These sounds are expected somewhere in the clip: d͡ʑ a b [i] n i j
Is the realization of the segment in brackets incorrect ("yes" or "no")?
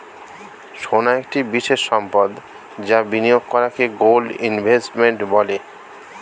no